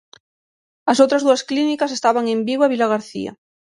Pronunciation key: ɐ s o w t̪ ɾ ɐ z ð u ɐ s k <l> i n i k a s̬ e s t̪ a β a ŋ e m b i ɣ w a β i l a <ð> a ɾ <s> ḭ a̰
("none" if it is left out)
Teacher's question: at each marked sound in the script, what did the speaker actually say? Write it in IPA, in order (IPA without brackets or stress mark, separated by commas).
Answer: l, ɣ, θ